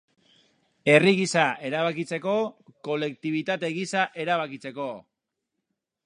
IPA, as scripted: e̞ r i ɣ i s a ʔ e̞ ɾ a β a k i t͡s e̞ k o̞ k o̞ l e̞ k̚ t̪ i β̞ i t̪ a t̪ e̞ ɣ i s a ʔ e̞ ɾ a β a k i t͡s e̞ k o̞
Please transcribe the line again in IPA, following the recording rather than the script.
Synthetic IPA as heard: e̞ r i ɣ i s a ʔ e̞ ɾ a β a k i t͡s e̞ k o̞ k o̞ l e̞ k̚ t̪ i β̞ i t̪ a t̪ e̞ ɣ i s a ʔ e̞ ɾ a β a k i t͡s e̞ k o̞